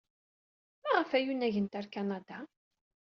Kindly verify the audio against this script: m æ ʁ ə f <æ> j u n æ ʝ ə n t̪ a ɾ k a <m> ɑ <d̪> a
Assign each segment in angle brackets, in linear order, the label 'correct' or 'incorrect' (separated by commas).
correct, incorrect, correct